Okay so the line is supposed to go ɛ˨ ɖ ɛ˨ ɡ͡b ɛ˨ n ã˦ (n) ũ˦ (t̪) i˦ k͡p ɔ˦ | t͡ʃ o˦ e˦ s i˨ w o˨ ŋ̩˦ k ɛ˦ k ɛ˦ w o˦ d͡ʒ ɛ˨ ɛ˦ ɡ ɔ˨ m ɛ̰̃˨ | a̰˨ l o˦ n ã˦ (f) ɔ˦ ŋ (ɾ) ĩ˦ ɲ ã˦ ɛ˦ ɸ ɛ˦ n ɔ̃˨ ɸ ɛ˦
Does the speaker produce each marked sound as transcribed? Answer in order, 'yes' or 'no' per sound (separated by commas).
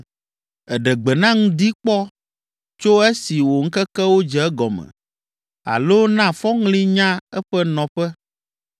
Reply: no, no, yes, no